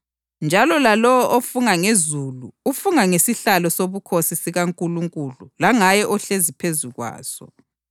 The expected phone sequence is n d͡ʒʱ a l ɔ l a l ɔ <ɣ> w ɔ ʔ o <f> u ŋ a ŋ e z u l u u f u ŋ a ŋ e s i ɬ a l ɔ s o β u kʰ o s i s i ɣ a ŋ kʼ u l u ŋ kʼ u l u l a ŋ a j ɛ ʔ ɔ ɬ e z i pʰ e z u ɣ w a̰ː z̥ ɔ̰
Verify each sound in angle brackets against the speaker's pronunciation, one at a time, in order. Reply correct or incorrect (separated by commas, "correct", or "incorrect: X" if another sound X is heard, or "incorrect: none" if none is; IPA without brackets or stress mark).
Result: incorrect: none, correct